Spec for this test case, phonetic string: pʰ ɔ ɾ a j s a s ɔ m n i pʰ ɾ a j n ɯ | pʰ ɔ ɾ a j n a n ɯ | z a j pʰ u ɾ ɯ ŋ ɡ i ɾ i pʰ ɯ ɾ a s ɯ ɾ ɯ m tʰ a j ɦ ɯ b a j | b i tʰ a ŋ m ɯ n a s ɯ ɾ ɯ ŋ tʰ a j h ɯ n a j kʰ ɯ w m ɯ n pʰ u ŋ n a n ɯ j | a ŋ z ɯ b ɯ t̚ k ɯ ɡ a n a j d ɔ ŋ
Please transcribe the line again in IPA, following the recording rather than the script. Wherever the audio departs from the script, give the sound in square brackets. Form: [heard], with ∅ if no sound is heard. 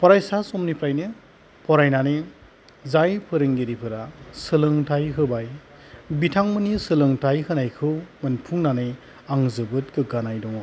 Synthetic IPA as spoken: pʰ ɔ ɾ a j s a s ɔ m n i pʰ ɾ a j n ɯ | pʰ ɔ ɾ a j n a n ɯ | z a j pʰ [ɯ] ɾ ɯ ŋ ɡ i ɾ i pʰ ɯ ɾ a s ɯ [l] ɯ [ŋ] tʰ a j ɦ ɯ b a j | b i tʰ a ŋ m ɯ n [i] s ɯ [l] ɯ ŋ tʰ a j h ɯ n a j kʰ ɯ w m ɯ n pʰ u ŋ n a n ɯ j | a ŋ z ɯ b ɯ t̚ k ɯ ɡ a n a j d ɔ ŋ

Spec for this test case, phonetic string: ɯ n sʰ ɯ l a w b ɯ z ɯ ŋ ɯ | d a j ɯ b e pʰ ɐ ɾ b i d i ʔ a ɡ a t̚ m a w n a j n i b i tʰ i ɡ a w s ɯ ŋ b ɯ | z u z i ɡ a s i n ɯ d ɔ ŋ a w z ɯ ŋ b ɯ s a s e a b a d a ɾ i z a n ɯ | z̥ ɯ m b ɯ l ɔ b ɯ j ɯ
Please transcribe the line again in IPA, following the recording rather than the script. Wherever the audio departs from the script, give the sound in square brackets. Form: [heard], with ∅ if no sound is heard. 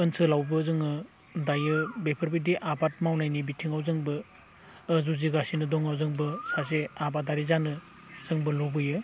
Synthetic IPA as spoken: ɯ n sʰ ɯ l a w b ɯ z ɯ ŋ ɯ | d a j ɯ b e pʰ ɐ ɾ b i d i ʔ a [b] a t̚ m a w n a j n i b i tʰ i [ŋ] a w [z] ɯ ŋ b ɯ | z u z i ɡ a s i n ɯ d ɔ ŋ a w z ɯ ŋ b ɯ s a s e a b a d a ɾ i z a n ɯ | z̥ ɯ [ŋ] b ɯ l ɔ b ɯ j ɯ

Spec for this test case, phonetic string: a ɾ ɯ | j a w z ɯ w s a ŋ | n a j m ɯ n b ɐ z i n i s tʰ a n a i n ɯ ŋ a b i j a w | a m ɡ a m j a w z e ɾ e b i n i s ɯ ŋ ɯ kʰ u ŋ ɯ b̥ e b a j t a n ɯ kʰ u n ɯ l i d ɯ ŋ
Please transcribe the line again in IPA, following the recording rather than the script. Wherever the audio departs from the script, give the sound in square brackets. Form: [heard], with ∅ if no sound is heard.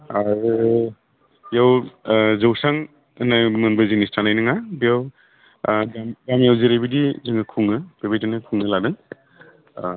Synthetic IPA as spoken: a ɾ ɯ | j a w z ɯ w s a ŋ | n a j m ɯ n b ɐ z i n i s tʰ a n a [j] n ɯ ŋ a b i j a w | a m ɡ a m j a w z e ɾ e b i [d] i [z] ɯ ŋ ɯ kʰ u ŋ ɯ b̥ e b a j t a n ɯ kʰ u [ŋ] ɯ l [a] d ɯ ŋ

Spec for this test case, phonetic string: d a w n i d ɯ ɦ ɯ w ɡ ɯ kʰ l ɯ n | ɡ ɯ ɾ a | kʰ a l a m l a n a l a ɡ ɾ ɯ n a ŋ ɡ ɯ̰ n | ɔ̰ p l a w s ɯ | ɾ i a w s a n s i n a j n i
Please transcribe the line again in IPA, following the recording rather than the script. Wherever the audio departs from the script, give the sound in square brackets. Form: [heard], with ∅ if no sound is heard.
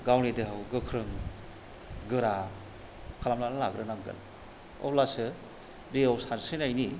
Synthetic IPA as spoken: [ɡ] a w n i d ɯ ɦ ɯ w ɡ ɯ kʰ [ɾ] ɯ [ŋ] | ɡ ɯ ɾ a | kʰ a l a m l a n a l a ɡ ɾ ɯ n a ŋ ɡ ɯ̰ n | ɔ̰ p l a [∅] s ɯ | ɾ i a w s a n s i n a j n i

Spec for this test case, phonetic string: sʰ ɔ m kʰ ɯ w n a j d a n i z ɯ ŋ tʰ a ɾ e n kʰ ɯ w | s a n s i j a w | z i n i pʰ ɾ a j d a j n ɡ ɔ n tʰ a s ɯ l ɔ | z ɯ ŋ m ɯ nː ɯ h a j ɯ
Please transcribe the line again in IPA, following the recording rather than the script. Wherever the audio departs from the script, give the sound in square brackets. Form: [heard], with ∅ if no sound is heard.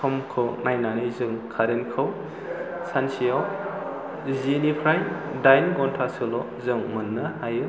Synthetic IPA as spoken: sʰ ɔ m kʰ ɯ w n a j [n] a n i z ɯ ŋ [kʰ] a ɾ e n kʰ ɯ w | s a n s i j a w | z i n i pʰ ɾ a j d a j n ɡ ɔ n tʰ a s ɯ l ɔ | z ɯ ŋ m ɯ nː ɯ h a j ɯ

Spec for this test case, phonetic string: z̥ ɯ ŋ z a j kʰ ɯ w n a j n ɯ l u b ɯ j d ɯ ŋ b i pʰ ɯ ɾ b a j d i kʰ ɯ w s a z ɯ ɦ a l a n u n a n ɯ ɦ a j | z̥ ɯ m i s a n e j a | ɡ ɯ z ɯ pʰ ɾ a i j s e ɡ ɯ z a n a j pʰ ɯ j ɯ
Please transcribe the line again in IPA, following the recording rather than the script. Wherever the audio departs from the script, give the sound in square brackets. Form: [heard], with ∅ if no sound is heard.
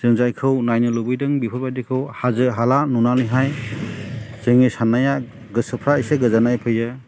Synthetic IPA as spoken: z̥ ɯ ŋ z a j kʰ ɯ w n a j n ɯ l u b ɯ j d ɯ ŋ b i pʰ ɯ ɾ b a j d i kʰ ɯ w [h] a z ɯ ɦ a l a n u n a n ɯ ɦ a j | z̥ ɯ [ŋ] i s a n [a] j a | ɡ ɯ [s] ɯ pʰ ɾ a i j s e ɡ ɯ z a n a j pʰ ɯ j ɯ

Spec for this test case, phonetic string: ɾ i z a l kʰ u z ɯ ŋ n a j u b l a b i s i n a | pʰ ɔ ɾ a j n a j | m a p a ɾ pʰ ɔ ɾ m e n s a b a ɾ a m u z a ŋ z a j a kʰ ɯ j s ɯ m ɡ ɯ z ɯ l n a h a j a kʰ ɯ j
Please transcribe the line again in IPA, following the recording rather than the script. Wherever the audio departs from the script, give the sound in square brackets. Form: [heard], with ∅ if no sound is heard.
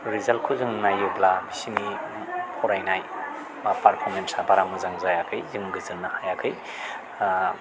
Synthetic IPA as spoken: ɾ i z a l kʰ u z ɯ ŋ n a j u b l a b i s i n [i] | pʰ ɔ ɾ a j n a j | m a p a ɾ pʰ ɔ ɾ m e n s a b a ɾ a m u z a ŋ z a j a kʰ ɯ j [z] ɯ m ɡ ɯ z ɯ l n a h a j a kʰ ɯ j

